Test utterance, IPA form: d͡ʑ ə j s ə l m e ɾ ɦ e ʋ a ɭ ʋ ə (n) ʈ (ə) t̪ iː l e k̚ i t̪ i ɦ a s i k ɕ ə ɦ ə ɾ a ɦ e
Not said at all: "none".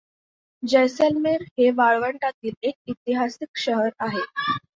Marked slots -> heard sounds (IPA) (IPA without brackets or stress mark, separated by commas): ɳ, a